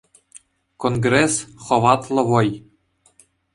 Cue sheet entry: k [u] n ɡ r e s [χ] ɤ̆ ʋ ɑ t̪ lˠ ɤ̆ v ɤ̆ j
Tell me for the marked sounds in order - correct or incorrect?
incorrect: o, correct

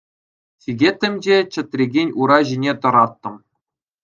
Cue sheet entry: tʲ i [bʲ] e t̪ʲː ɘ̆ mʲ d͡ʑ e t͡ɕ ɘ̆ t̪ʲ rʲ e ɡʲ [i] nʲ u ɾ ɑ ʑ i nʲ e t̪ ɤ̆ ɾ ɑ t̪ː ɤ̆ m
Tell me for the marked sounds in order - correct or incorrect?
incorrect: ɡʲ, incorrect: e

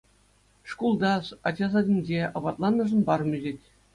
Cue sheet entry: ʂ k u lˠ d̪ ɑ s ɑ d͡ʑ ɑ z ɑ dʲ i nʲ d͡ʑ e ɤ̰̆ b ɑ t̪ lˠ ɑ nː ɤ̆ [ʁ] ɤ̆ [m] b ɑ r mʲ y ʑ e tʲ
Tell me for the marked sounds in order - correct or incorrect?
incorrect: ʐ, incorrect: n

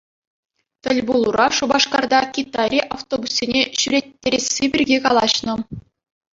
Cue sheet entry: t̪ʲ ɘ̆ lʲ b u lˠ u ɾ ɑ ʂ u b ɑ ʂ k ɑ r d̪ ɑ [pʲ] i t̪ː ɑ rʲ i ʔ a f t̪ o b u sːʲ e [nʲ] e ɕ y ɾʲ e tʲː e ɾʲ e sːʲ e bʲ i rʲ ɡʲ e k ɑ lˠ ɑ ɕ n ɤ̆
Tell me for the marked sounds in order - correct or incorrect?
incorrect: kʲ, correct

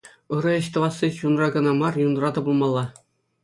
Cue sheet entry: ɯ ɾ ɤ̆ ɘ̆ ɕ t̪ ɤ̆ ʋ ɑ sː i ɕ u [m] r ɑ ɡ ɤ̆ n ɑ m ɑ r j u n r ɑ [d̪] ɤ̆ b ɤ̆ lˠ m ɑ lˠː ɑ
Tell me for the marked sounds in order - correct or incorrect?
incorrect: n, incorrect: t̪

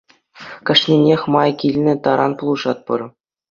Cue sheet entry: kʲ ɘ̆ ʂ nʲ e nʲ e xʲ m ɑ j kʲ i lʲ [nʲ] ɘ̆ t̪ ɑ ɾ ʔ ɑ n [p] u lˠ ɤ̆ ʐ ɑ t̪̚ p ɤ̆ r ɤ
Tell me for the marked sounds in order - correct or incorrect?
correct, correct

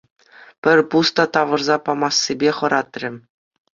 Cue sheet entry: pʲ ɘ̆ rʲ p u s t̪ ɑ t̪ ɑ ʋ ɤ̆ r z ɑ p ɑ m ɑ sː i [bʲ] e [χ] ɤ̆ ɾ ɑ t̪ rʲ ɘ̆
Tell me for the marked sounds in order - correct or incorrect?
correct, correct

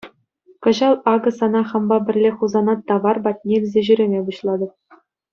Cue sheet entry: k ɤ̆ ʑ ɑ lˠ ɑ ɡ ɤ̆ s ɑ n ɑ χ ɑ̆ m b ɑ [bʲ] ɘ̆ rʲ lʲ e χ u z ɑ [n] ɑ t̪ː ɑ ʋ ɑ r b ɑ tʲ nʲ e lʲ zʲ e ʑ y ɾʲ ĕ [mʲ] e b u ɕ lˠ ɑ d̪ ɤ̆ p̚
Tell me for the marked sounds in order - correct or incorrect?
correct, correct, correct

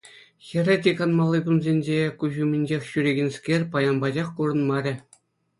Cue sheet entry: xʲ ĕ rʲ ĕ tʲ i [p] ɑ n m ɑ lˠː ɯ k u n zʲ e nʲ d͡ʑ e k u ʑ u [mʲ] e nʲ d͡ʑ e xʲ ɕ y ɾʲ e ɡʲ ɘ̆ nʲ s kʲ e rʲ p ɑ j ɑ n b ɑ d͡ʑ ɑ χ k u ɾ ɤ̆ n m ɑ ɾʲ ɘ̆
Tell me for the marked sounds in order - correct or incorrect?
incorrect: k, correct

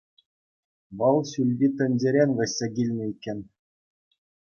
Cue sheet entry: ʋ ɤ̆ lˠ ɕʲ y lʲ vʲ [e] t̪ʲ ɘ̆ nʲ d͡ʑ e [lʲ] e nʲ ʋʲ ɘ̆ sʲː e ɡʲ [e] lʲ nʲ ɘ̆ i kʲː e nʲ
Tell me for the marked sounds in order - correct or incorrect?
incorrect: i, incorrect: ɾʲ, incorrect: i

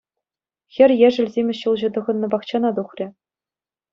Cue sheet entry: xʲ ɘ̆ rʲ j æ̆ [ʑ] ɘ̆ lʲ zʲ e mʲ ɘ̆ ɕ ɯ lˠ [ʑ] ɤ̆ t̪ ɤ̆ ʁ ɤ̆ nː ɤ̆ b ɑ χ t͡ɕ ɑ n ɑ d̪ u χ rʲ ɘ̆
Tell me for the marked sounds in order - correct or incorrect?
incorrect: ʐ, correct

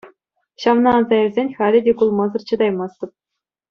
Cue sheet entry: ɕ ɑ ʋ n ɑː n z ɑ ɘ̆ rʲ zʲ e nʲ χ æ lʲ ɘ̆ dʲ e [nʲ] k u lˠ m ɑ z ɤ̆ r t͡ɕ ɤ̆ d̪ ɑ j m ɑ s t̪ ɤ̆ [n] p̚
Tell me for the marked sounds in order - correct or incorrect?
incorrect: none, incorrect: none

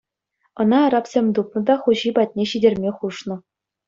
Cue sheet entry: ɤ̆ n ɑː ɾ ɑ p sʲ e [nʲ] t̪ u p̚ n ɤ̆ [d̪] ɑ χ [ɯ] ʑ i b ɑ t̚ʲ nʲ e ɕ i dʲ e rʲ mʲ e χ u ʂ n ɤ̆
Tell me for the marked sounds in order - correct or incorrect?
incorrect: mʲ, correct, incorrect: u

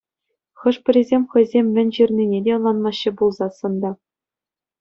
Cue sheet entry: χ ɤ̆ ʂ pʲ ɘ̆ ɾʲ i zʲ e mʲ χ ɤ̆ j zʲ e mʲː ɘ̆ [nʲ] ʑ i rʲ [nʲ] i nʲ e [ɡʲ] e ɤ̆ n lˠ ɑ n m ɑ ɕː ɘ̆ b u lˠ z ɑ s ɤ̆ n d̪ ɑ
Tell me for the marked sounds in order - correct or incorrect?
correct, correct, incorrect: dʲ

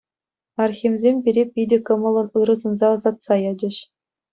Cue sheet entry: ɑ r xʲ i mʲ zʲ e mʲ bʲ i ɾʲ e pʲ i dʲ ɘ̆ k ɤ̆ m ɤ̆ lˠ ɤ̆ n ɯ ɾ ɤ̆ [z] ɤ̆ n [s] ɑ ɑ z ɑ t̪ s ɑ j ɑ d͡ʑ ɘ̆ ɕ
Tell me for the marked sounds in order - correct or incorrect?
correct, incorrect: z

